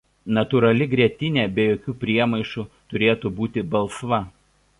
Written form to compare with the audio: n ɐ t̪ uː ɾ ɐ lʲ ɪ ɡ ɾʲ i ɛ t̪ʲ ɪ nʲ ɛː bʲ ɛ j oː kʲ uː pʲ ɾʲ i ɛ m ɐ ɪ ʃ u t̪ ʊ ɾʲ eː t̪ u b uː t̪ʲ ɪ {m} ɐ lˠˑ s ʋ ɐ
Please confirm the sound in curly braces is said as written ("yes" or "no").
no